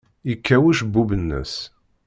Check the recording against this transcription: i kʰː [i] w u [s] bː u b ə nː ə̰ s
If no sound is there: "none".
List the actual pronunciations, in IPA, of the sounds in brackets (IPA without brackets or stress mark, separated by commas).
æ, ʃ